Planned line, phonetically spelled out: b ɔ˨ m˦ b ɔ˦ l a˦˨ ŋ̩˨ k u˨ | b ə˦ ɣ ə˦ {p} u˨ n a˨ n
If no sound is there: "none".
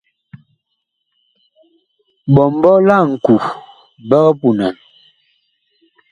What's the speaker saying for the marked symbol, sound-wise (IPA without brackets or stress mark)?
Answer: p